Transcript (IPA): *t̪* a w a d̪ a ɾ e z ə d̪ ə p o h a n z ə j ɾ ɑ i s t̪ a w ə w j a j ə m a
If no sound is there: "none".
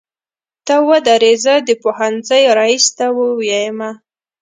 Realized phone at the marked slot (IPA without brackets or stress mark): t̪